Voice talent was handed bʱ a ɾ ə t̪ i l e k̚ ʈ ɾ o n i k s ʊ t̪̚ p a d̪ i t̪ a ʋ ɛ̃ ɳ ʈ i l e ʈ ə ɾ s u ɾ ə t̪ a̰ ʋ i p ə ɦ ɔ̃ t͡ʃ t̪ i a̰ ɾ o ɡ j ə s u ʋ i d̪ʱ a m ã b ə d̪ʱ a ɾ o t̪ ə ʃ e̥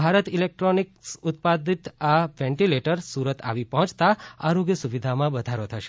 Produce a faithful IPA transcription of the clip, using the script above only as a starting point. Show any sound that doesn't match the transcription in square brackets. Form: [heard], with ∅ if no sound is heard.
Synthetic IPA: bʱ a ɾ ə t̪ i l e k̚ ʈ ɾ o n i k s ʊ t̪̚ p a d̪ i t̪ a ʋ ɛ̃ ɳ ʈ i l e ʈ ə ɾ s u ɾ ə t̪ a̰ ʋ i p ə ɦ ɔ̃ t͡ʃ t̪ [a] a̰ ɾ o ɡ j ə s u ʋ i d̪ʱ a m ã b ə d̪ʱ a ɾ o [t̪ʰ] ə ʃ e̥